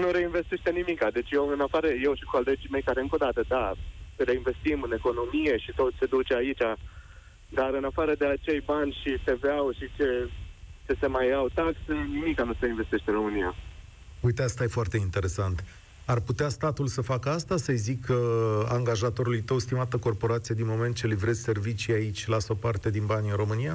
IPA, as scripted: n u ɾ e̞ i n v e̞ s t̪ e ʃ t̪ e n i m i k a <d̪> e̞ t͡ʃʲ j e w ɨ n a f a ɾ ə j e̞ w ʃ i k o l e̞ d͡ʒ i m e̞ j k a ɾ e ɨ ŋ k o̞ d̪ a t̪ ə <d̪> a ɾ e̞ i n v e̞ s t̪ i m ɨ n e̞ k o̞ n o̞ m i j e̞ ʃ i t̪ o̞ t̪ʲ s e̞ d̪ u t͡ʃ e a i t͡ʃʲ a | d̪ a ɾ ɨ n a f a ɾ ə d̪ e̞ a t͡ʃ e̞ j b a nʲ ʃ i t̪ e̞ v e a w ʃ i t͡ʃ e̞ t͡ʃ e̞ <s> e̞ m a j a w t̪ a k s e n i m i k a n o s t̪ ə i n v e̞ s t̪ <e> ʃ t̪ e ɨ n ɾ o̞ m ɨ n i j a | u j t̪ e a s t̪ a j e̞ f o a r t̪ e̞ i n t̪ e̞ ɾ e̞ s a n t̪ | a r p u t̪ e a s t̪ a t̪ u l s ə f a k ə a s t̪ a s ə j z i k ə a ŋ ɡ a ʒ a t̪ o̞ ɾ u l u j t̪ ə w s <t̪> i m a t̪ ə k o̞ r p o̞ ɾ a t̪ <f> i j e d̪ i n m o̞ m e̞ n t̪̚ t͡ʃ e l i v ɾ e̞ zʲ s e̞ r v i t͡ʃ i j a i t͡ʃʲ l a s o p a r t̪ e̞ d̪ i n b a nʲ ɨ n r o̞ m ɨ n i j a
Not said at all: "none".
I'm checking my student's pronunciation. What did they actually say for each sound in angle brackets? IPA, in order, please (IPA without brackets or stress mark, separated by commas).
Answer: d̪, d̪, s, e, t̪, s